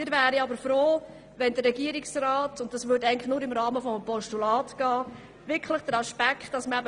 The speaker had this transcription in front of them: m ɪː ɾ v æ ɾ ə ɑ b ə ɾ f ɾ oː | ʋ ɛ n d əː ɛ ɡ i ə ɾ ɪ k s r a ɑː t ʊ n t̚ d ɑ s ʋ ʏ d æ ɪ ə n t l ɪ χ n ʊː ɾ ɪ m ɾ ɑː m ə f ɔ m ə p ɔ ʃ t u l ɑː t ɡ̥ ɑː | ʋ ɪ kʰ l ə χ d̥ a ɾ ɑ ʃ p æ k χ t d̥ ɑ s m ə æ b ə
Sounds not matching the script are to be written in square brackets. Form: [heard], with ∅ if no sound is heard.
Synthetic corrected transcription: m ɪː ɾ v [æː] ɾ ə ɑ b ə ɾ f ɾ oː | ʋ ɛ n d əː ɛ ɡ i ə ɾ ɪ k s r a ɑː t ʊ n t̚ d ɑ s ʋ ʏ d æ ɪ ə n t l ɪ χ n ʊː ɾ ɪ m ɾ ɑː m ə f ɔ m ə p ɔ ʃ t u l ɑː t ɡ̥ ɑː | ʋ ɪ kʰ l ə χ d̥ [ə] ɾ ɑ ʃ p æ k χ t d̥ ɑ s m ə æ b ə

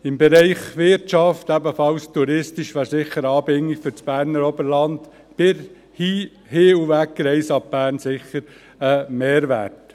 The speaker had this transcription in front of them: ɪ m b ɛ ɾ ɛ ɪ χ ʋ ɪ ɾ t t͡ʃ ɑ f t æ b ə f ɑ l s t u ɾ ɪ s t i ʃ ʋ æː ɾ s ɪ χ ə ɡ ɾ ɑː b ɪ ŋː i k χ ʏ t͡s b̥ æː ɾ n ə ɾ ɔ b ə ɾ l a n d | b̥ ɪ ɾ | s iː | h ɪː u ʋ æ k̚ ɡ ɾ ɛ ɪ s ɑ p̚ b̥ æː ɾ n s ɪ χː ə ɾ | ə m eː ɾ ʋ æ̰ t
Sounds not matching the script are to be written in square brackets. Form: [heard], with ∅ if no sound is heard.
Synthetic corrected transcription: ɪ m b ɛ ɾ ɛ ɪ χ ʋ ɪ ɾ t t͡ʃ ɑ f t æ b ə f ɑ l s t u ɾ ɪ s t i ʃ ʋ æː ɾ s ɪ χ ə [∅] ɾ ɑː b ɪ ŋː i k [f] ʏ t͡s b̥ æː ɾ n ə ɾ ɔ b ə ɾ l [ɑ] n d | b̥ ɪ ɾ | [h] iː | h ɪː u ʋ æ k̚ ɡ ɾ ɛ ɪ s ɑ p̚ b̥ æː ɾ n s ɪ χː ə ɾ | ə m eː ɾ ʋ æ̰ t

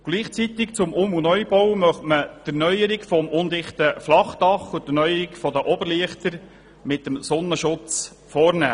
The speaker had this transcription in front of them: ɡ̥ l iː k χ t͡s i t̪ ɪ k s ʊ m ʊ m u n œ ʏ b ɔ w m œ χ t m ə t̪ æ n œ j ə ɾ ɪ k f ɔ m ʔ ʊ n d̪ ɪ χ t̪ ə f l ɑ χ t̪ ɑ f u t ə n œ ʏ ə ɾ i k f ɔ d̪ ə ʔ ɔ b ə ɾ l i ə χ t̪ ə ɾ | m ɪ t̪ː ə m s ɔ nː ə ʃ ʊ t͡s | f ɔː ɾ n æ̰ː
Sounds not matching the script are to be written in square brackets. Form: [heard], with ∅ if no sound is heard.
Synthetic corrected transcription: ɡ̥ l iː [∅] χ t͡s i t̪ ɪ k [t͡s] ʊ m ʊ m u n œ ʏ b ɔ w m œ χ t m ə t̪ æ n œ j ə ɾ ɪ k f ɔ m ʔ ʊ n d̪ ɪ χ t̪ ə f l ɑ χ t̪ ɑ [χ] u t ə n œ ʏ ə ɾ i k f ɔ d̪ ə ʔ ɔ b ə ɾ l i ə χ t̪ ə ɾ | m ɪ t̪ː ə m s ɔ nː ə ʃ ʊ t͡s | f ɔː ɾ n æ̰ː

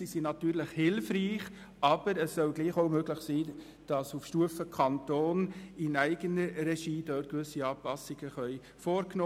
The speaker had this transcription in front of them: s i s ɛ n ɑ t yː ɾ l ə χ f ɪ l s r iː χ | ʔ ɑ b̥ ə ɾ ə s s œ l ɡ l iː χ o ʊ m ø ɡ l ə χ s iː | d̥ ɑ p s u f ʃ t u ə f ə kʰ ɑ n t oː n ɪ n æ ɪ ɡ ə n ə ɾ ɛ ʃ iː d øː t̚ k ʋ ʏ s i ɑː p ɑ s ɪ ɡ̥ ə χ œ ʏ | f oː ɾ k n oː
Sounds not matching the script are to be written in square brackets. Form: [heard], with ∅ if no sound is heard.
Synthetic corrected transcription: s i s [i] n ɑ t yː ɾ l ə χ [h] ɪ l [f] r iː χ | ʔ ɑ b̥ ə ɾ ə s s œ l ɡ l iː χ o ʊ m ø ɡ l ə χ s iː | d̥ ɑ [∅] s u f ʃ t u ə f ə kʰ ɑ n t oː n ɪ n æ ɪ ɡ ə n ə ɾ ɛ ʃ iː d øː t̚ k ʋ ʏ s i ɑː p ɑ s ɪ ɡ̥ ə χ œ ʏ | f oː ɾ k n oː

